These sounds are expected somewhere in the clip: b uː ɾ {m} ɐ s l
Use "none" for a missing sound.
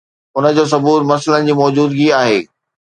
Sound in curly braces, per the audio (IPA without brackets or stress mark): m